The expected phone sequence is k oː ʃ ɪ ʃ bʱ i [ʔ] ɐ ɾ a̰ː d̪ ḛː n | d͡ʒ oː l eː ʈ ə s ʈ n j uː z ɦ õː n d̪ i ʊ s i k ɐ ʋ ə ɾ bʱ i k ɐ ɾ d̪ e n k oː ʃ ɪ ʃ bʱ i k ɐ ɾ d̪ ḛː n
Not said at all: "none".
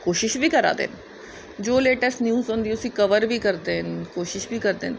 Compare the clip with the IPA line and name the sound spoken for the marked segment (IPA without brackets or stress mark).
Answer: k